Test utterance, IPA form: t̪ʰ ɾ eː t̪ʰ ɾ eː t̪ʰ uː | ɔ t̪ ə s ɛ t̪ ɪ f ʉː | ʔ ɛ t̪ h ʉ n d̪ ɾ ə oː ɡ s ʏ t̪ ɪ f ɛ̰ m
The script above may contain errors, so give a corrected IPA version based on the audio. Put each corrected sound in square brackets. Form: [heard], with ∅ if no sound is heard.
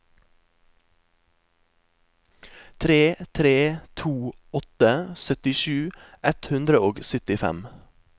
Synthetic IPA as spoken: t̪ʰ ɾ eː t̪ʰ ɾ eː t̪ʰ uː | ɔ t̪ ə s [œ] t̪ ɪ [ʃ] ʉː | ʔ ɛ t̪ h ʉ n d̪ ɾ ə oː ɡ s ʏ t̪ ɪ f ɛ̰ m